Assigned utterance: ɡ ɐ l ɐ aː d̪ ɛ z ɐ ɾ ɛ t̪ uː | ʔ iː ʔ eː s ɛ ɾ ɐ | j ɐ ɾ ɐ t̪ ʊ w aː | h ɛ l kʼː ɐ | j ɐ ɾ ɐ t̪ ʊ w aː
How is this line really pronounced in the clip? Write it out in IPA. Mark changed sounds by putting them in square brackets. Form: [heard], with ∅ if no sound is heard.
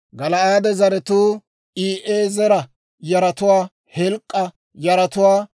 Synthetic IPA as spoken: ɡ ɐ l ɐ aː d̪ ɛ z ɐ ɾ ɛ t̪ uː | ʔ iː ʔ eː [z] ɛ ɾ ɐ | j ɐ ɾ ɐ t̪ ʊ w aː | h ɛ l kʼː ɐ | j ɐ ɾ ɐ t̪ ʊ w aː